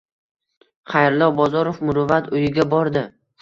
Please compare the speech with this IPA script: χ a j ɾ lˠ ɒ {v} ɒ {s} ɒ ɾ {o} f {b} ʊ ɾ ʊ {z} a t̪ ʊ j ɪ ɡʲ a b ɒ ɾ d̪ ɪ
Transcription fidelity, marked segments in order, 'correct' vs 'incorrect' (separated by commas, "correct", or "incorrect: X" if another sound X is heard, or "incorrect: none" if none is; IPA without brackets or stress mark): incorrect: b, incorrect: z, correct, incorrect: m, incorrect: v